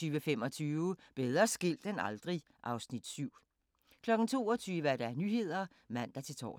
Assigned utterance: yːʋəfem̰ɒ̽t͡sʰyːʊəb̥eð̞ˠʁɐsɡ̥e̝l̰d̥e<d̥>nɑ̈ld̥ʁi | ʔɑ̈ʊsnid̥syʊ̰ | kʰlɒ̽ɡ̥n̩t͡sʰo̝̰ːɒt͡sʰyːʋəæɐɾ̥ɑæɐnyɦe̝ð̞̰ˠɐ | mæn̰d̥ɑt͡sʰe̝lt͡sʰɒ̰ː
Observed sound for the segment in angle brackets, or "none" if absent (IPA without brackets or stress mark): none